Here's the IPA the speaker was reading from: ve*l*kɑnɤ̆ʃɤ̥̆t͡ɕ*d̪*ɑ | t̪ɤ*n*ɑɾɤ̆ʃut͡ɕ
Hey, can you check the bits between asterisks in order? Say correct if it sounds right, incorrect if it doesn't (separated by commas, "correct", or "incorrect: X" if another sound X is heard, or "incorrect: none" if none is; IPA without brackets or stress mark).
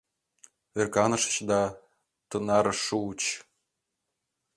incorrect: r, correct, correct